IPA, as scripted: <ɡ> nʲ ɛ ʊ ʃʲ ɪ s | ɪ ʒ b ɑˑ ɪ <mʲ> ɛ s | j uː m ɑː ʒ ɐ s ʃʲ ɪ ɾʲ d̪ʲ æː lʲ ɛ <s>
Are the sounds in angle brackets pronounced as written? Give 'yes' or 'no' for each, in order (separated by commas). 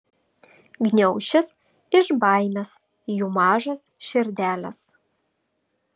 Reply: yes, yes, yes